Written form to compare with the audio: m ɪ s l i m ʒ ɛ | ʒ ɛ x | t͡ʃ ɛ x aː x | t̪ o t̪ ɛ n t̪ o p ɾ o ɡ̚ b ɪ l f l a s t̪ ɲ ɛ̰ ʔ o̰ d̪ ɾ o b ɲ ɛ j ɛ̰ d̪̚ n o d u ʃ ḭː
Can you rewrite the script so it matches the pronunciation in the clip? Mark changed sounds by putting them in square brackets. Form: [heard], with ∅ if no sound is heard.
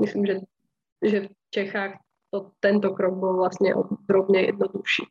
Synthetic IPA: m ɪ s l i m ʒ ɛ | ʒ ɛ [f] | t͡ʃ ɛ x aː x | t̪ o t̪ ɛ n t̪ o [k] ɾ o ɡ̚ b ɪ l [v] l a s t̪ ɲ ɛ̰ ʔ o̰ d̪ ɾ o b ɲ ɛ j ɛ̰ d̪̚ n o d u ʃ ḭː